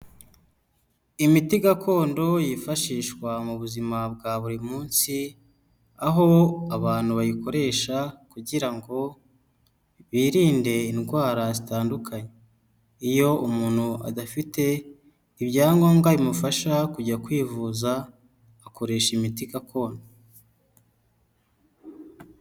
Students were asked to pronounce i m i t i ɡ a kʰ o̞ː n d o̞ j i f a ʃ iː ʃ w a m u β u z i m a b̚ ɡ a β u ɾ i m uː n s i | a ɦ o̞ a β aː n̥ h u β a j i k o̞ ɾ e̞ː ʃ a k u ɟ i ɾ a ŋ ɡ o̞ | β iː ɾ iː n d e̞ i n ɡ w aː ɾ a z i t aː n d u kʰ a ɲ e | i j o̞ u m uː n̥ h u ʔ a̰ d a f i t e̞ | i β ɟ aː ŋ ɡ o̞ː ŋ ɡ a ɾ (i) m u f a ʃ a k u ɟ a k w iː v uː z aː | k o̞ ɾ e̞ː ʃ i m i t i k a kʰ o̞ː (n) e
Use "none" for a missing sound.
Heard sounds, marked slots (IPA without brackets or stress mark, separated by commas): i, n